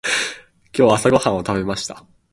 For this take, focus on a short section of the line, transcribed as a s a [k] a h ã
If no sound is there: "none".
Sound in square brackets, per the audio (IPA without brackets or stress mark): ɡ